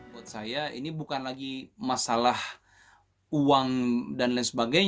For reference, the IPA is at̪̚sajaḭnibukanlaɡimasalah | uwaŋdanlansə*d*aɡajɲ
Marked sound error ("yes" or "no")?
yes